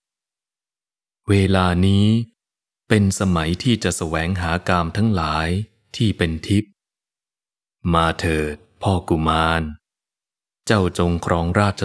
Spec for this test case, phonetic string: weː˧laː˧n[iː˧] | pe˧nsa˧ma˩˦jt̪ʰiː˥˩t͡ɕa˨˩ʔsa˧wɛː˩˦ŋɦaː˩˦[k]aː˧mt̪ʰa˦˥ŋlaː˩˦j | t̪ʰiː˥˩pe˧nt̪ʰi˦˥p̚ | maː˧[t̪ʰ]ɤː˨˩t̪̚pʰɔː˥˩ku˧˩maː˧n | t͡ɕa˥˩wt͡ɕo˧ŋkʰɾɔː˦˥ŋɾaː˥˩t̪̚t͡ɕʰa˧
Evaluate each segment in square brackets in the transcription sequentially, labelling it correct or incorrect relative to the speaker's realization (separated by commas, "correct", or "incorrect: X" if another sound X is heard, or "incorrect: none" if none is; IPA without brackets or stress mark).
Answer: incorrect: iː˦˥, correct, correct